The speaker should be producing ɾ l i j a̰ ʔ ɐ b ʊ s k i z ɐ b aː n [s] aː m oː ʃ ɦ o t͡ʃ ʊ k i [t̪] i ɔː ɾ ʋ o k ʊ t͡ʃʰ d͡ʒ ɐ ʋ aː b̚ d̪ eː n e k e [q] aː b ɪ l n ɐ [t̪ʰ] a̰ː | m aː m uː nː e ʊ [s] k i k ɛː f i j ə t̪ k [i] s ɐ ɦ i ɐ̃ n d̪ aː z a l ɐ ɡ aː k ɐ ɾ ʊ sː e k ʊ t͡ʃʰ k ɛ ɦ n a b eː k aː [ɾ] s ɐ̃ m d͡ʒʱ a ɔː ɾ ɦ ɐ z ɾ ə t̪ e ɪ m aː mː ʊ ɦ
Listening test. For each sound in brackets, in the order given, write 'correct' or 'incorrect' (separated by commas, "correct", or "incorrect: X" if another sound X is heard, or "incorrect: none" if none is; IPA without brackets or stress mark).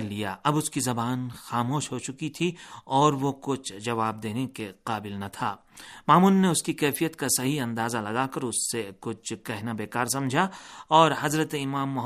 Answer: incorrect: x, incorrect: t̪ʰ, correct, correct, correct, incorrect: a, correct